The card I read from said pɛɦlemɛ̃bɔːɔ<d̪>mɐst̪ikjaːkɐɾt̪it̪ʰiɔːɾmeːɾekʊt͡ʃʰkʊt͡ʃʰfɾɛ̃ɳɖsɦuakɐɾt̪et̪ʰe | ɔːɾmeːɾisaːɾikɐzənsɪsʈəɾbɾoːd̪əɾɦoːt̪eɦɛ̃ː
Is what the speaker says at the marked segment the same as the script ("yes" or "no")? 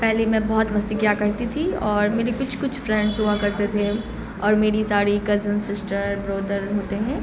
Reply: no